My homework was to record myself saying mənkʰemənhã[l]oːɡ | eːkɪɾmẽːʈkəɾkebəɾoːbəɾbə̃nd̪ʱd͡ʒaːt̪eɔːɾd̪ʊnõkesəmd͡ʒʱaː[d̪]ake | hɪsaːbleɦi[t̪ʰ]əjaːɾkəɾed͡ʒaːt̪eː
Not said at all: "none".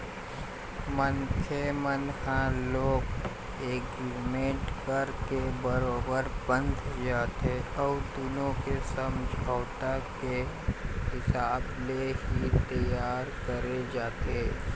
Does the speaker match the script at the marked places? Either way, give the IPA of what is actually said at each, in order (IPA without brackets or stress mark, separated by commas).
l, t̪, t̪